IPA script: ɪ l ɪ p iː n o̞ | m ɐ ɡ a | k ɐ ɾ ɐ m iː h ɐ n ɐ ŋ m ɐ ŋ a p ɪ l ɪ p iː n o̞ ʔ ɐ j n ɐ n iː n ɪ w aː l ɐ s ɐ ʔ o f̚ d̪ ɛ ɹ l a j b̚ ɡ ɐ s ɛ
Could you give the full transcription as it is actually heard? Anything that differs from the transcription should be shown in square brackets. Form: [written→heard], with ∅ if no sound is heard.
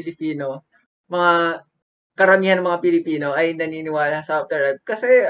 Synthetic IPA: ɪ l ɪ p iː n o̞ | m ɐ [ɡ→ŋ] a | k ɐ ɾ ɐ m iː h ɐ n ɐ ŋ m ɐ ŋ a p ɪ l ɪ p iː n o̞ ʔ ɐ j n ɐ n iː n ɪ w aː l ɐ s ɐ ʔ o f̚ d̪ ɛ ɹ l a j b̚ [ɡ→k] ɐ s ɛ